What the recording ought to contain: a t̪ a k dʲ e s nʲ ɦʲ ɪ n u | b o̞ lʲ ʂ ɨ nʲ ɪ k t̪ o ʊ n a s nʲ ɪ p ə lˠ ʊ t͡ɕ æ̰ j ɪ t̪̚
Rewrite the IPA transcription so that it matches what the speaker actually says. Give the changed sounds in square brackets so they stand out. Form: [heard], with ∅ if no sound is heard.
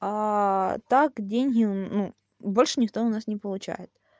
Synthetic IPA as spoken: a t̪ a k dʲ e [∅] nʲ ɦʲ ɪ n u | b o̞ lʲ ʂ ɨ nʲ ɪ k t̪ o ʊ n a s nʲ ɪ p ə lˠ ʊ t͡ɕ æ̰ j ɪ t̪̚